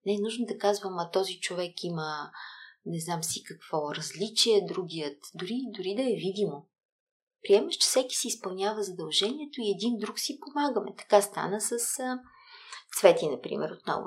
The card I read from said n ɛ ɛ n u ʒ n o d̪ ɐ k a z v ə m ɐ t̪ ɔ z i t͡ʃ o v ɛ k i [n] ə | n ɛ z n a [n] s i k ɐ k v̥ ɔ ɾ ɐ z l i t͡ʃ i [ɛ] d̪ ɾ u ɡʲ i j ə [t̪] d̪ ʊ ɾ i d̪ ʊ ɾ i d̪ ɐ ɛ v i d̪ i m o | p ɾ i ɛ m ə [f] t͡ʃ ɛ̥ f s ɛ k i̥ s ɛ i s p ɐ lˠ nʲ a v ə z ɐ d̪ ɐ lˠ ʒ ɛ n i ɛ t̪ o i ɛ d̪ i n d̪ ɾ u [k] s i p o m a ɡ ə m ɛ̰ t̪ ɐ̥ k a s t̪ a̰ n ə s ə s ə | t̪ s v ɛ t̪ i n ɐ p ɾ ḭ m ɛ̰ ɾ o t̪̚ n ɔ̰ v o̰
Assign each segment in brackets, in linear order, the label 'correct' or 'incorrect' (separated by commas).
incorrect, incorrect, correct, correct, incorrect, correct